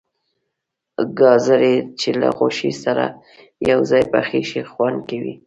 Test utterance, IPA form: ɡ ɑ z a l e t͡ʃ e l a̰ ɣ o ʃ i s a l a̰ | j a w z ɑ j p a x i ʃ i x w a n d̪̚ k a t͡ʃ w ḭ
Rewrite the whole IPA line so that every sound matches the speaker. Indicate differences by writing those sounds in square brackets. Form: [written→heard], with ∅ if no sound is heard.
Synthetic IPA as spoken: ɡ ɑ z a [l→ɾ] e t͡ʃ e l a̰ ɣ o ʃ i s a [l→ɾ] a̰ | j a w z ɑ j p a x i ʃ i x w a n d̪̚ k a [t͡ʃ→∅] w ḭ